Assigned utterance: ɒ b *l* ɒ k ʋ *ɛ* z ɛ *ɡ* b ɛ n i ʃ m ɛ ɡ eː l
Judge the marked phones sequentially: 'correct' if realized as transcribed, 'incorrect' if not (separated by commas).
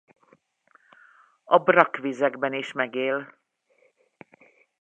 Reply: incorrect, incorrect, correct